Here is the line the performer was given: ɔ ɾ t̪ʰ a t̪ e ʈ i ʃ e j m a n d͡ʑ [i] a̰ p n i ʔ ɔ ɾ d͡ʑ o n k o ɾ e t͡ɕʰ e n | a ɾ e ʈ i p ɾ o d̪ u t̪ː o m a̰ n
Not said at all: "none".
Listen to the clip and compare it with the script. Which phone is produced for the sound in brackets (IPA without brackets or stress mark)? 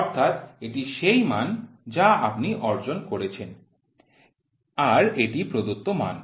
a